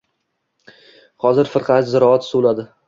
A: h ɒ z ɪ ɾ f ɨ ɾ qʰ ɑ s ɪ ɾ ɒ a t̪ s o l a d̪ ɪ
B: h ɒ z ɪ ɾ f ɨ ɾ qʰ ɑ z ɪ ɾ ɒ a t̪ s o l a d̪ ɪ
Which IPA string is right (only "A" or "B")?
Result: B